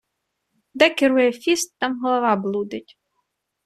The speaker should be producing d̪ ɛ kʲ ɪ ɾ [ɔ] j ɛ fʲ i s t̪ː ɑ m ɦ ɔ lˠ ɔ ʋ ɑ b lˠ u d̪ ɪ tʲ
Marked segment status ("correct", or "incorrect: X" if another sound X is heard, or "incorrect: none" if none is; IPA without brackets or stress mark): incorrect: u